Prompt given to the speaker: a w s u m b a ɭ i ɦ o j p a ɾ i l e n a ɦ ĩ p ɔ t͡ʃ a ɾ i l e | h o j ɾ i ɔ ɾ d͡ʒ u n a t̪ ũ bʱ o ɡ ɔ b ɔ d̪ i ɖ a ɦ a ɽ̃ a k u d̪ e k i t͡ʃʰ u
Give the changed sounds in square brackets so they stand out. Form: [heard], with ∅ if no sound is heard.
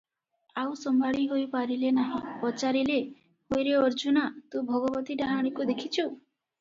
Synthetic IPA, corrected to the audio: a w s [ɔ] m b a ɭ i ɦ o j p a ɾ i l e n a ɦ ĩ p ɔ t͡ʃ a ɾ i l e | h o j ɾ [e] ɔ ɾ d͡ʒ u n a t̪ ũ bʱ [ɔ] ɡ ɔ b ɔ [t̪] i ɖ a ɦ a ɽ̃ [i] k u d̪ e [kʰ] i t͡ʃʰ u